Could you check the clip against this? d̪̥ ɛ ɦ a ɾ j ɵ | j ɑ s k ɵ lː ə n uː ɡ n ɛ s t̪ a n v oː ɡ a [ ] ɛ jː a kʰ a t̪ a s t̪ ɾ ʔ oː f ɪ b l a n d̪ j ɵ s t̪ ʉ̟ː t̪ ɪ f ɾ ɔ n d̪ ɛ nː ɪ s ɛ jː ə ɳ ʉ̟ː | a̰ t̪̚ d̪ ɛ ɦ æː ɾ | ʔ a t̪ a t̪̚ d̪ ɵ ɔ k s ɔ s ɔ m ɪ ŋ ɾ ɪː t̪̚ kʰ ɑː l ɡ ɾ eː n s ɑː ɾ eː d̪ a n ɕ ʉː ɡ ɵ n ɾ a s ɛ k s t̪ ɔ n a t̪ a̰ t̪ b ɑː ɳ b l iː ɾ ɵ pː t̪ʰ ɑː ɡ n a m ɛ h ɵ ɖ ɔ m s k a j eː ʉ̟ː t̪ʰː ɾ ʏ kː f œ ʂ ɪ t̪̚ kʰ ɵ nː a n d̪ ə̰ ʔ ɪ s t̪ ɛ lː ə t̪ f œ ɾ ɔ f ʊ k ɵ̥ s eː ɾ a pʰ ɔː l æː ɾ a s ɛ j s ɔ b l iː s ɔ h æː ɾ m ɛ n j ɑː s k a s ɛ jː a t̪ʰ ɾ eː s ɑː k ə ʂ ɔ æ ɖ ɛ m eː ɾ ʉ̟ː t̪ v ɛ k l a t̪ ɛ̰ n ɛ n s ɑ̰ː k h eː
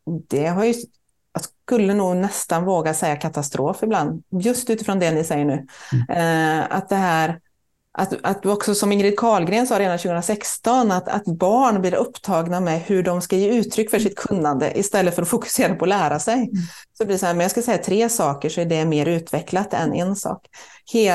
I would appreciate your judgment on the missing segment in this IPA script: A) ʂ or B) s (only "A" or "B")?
B